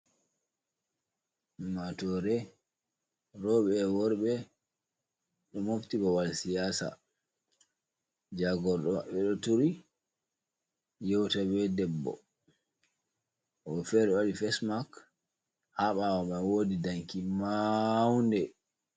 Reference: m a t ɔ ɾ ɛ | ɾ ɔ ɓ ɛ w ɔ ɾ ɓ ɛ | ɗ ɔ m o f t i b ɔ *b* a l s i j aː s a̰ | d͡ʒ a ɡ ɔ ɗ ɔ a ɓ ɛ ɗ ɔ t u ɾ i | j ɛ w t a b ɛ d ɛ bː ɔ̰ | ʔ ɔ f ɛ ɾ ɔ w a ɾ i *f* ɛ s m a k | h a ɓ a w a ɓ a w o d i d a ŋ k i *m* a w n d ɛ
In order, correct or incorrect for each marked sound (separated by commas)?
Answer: incorrect, correct, correct